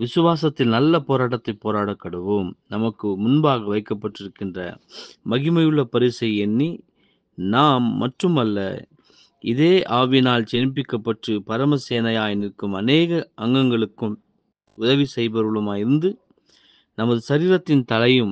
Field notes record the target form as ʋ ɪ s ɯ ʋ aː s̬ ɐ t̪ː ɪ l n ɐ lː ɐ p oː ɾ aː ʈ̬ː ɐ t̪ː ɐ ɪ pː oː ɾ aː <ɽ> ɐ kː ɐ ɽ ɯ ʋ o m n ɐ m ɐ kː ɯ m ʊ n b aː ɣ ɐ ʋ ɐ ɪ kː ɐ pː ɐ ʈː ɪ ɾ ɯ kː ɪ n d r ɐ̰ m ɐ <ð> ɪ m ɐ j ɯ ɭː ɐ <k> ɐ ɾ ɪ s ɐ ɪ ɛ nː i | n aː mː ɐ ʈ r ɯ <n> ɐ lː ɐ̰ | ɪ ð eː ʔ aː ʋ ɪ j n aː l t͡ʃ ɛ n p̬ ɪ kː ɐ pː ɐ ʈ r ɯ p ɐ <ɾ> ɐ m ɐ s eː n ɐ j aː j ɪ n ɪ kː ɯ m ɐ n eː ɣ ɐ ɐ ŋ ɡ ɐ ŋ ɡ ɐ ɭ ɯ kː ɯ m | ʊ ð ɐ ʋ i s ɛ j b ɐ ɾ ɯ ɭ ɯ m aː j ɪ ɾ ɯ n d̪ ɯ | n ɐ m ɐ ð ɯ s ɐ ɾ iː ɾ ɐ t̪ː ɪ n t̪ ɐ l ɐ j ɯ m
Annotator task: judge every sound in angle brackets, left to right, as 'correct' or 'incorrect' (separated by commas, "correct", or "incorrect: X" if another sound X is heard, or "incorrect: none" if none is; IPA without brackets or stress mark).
correct, incorrect: ɣ, incorrect: p, incorrect: m, correct